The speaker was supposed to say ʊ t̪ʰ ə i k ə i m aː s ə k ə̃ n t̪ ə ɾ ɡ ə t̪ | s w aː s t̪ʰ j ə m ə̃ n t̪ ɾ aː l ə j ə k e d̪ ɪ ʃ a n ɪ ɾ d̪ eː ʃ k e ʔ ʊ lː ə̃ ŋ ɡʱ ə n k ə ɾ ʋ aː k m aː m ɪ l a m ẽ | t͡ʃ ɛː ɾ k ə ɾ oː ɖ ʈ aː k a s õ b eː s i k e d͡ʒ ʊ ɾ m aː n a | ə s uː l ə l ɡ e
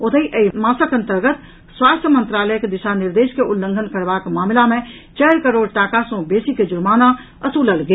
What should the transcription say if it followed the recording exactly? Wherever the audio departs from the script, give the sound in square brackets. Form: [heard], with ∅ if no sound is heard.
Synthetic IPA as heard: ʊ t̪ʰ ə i [ʔ] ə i m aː s ə k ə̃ n t̪ ə ɾ ɡ ə t̪ | s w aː s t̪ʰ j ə m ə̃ n t̪ ɾ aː l ə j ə k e d̪ ɪ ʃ a n ɪ ɾ d̪ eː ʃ k e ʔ ʊ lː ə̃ ŋ ɡʱ ə n k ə ɾ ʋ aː k m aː m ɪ l a m ẽ | t͡ʃ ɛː ɾ k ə ɾ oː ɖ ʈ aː k a s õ b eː s i k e d͡ʒ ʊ ɾ m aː n a | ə s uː l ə l ɡ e